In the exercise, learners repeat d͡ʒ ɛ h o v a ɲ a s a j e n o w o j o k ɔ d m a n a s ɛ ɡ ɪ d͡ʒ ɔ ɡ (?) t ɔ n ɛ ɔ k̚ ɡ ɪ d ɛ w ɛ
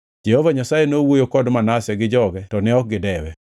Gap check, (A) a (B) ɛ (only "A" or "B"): B